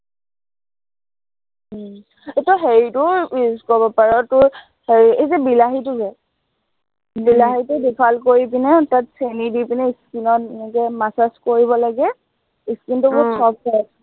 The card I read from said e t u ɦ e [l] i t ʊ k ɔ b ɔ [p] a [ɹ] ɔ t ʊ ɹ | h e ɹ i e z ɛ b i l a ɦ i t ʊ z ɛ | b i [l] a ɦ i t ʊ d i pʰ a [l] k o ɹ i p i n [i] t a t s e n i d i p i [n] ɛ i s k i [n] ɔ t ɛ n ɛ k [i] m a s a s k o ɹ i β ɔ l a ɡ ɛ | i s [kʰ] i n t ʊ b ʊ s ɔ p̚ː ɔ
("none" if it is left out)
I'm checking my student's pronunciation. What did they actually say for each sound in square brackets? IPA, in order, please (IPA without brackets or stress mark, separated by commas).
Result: ɹ, p, ɹ, l, l, ɛ, n, n, ɛ, k